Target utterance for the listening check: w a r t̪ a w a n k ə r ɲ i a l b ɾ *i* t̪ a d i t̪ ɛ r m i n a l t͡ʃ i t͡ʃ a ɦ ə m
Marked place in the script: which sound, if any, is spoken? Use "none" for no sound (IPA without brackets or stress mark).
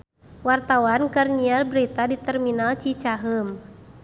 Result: i